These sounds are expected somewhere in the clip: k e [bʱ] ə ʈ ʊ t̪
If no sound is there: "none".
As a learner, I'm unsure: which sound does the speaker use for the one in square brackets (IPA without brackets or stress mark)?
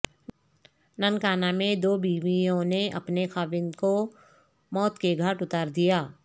ɡʱ